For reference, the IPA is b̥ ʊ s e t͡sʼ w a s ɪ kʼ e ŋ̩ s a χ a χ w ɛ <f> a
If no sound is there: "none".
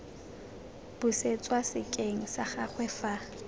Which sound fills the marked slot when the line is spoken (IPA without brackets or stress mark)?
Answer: f